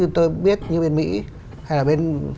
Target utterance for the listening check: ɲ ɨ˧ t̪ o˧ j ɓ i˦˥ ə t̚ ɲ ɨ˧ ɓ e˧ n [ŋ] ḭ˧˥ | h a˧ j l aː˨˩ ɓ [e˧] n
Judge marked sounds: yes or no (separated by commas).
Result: no, yes